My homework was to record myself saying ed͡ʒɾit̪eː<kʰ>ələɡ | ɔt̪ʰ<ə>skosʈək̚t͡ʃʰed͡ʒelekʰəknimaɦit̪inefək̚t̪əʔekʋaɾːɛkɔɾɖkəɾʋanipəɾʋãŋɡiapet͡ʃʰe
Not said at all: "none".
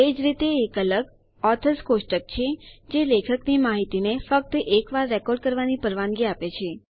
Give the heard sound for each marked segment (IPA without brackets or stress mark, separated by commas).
k, ə